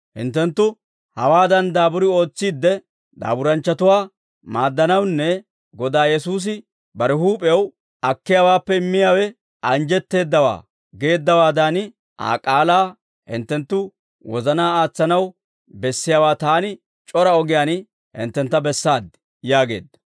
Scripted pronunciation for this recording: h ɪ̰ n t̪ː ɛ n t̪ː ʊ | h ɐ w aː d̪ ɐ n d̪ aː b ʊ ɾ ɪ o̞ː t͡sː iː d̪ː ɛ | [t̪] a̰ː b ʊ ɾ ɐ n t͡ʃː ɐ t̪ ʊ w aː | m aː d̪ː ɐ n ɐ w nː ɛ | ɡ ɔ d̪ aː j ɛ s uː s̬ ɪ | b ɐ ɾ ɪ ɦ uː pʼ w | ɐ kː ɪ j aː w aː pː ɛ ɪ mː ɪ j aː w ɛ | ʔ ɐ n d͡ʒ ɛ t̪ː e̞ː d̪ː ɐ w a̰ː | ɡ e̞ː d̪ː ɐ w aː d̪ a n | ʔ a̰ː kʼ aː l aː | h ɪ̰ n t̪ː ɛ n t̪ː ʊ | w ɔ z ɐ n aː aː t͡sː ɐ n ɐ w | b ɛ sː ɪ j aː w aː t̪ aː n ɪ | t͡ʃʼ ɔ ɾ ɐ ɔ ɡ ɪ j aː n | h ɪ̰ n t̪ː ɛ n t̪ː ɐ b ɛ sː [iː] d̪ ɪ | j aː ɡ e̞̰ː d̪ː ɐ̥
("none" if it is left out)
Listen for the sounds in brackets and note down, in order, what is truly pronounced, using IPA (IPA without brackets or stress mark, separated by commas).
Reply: d̪, aː